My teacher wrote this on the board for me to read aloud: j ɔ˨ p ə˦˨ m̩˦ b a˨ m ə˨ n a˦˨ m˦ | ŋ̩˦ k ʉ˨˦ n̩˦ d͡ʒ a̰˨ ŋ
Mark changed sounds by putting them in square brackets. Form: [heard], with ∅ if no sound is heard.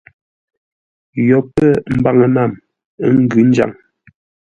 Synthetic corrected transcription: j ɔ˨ p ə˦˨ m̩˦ b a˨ [ŋ] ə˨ n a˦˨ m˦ | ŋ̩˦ [ɡ] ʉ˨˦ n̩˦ d͡ʒ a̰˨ ŋ